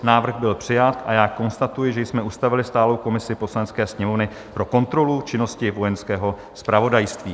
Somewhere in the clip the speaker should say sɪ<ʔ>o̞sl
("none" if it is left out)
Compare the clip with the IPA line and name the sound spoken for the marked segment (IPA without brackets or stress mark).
p